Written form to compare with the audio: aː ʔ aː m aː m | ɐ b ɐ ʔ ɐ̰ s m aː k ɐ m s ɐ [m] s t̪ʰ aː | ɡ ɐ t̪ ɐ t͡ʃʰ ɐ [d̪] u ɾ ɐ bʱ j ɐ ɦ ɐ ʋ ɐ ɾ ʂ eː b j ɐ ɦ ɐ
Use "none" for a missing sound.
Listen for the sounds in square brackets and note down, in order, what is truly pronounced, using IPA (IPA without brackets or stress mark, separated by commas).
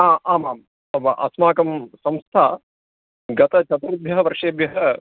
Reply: m, t̪